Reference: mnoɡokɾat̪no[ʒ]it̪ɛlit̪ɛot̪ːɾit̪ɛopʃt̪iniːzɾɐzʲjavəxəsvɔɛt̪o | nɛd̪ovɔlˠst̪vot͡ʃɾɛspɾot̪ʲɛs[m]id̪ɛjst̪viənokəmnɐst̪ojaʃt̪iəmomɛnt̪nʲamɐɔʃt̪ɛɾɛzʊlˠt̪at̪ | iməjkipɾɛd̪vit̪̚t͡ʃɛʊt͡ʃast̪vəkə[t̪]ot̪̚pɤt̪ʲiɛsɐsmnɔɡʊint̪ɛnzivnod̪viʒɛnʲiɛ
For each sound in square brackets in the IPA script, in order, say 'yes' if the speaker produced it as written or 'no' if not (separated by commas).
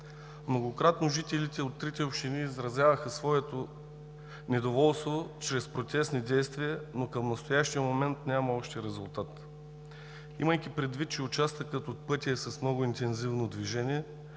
yes, no, yes